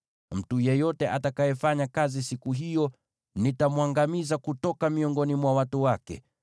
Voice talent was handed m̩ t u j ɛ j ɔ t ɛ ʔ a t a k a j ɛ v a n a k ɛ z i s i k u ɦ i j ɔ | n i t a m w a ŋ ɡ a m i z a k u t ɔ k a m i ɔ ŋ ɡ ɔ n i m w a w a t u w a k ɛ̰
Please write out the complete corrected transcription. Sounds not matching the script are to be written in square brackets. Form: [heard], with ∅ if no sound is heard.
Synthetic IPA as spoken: m̩ t u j ɛ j ɔ t ɛ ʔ a t a k a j ɛ [f] a [ɲ] a k [a] z i s i k u ɦ i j ɔ | n i t a m w a ŋ ɡ a m i z a k u t ɔ k a m i ɔ ŋ ɡ ɔ n i m w a w a t u w a k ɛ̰